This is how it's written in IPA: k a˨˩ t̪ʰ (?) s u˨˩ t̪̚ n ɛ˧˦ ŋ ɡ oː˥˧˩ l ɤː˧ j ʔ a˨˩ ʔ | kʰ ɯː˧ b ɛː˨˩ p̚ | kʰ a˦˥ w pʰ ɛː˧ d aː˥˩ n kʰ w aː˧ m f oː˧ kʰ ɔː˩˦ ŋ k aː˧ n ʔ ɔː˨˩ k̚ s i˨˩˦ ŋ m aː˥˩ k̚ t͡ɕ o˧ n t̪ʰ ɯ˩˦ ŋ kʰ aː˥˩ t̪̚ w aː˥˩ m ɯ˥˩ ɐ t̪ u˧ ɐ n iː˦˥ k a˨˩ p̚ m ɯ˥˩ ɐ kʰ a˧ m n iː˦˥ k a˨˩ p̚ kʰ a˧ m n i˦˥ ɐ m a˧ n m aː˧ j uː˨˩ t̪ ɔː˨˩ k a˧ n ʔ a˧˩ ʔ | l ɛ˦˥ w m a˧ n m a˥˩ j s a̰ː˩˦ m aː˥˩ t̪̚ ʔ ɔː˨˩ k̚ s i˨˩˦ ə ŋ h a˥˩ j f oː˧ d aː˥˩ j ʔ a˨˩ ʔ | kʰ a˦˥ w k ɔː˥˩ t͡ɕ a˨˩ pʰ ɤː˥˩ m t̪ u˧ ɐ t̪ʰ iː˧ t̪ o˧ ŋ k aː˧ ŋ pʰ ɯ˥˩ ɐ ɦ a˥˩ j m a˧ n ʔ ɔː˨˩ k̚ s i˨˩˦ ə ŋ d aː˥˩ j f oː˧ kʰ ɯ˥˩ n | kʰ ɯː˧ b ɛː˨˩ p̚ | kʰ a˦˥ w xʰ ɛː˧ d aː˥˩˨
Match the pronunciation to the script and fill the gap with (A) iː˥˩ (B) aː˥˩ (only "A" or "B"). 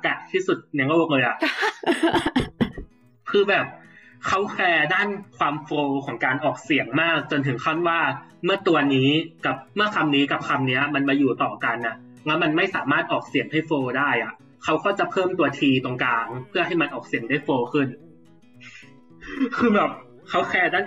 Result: A